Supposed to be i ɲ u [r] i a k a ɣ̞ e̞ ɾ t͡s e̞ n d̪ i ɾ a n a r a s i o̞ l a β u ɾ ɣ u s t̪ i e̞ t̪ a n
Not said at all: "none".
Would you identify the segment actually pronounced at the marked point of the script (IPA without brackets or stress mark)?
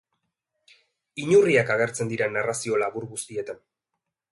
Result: r